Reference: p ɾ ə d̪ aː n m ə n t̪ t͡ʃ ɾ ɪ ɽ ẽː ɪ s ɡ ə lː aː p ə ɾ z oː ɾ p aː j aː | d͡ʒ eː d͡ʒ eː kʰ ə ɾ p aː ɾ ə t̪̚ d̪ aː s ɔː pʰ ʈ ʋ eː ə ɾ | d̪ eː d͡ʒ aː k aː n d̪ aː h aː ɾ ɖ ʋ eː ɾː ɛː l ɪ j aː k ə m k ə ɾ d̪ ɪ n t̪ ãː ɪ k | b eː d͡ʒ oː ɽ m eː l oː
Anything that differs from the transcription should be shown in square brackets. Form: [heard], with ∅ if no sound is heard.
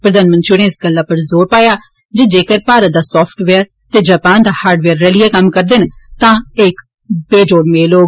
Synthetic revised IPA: p ɾ ə d̪ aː n m ə n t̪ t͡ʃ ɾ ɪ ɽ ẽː ɪ s ɡ ə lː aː p ə ɾ z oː ɾ p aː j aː | d͡ʒ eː d͡ʒ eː [k] ə ɾ p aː ɾ ə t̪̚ d̪ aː s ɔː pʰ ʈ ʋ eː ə ɾ | [t̪] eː d͡ʒ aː [p] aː n d̪ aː h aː ɾ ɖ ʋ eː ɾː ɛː l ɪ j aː k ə m k ə ɾ d̪ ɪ n t̪ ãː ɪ k | b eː d͡ʒ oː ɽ m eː l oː